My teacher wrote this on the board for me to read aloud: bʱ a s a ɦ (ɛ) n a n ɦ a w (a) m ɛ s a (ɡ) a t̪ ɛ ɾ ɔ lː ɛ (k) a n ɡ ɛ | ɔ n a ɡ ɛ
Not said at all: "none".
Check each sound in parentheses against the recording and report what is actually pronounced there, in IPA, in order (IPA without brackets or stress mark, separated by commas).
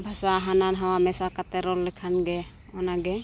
a, a, k, kʰ